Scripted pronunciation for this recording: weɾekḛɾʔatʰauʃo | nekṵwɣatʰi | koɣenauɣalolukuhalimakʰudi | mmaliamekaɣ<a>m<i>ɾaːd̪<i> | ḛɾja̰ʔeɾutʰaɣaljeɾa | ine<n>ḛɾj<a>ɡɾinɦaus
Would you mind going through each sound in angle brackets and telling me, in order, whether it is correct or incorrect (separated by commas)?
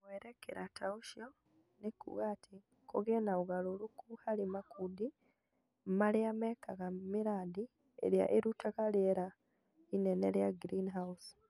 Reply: correct, correct, correct, correct, correct